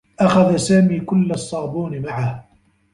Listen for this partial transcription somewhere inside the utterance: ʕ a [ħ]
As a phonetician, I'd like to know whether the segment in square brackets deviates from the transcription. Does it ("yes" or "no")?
yes